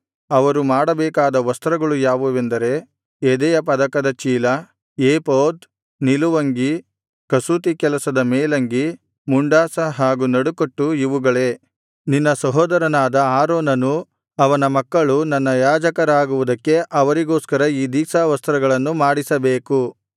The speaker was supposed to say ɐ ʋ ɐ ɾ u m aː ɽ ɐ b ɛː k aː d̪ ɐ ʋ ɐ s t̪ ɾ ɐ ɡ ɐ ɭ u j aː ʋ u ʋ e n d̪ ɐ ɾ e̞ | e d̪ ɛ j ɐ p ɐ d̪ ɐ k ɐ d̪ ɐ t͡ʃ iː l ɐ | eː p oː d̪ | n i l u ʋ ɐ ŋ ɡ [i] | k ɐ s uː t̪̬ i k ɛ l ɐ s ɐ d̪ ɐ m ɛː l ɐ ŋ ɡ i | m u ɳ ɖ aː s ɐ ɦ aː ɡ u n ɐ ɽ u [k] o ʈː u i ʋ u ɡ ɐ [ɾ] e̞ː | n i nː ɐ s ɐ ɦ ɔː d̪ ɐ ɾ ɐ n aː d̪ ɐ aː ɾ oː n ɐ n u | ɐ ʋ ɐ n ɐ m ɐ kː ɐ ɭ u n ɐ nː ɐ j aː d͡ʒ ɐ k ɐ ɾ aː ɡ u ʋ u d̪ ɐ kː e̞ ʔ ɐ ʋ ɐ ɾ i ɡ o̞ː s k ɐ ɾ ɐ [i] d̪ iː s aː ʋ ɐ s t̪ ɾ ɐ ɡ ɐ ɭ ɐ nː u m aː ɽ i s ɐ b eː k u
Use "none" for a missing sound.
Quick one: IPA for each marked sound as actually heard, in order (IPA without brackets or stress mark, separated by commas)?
i, k, ɭ, iː